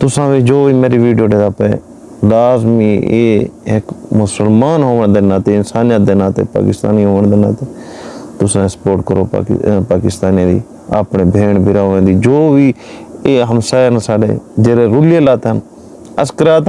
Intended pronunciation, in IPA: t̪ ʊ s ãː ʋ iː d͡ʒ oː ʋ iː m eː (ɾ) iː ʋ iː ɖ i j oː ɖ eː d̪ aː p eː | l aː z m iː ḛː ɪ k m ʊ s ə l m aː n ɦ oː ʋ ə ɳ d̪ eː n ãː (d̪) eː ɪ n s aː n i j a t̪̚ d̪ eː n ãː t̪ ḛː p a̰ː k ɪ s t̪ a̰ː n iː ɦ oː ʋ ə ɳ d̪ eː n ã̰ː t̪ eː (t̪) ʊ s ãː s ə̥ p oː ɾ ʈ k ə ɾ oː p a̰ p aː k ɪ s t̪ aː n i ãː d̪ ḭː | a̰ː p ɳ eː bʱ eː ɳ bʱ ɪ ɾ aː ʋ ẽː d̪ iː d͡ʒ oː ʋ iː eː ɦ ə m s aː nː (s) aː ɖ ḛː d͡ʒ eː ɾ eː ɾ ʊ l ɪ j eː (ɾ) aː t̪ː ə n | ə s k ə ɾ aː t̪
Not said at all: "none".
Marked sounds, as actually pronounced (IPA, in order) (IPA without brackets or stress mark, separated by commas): ɾ, t̪, t̪, s, l